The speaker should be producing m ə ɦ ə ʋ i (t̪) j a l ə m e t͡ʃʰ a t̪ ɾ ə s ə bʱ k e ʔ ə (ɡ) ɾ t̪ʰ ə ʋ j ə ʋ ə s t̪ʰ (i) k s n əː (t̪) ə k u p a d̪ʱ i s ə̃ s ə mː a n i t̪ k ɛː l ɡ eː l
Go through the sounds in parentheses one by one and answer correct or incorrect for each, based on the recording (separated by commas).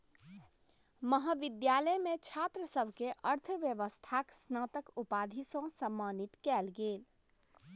incorrect, incorrect, incorrect, correct